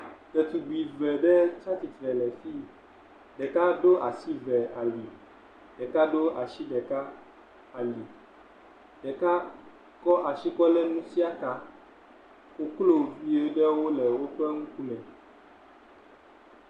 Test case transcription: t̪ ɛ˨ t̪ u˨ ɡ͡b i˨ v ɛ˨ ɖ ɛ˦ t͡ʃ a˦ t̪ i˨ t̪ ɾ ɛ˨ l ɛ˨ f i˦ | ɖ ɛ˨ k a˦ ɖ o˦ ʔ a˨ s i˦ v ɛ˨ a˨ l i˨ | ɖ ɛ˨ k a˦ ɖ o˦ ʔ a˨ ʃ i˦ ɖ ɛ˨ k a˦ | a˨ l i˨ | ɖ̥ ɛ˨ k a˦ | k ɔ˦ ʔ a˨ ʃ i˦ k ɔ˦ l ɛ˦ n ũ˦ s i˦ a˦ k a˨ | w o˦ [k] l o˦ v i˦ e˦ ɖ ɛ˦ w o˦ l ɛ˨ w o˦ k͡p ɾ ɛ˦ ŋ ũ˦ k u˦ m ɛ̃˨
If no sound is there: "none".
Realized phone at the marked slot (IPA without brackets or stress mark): k